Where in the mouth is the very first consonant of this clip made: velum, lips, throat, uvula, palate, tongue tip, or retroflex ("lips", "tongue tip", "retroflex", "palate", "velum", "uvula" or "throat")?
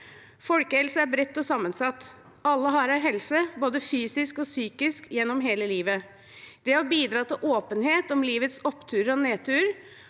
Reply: lips